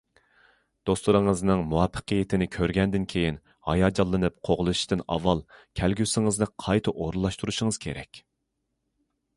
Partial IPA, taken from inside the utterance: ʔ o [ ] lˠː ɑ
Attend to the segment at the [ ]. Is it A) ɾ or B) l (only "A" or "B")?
A